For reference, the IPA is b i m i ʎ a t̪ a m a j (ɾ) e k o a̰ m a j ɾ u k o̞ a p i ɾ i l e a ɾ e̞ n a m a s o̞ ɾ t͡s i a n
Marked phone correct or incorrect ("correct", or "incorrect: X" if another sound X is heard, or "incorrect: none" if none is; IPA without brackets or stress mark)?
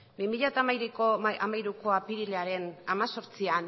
correct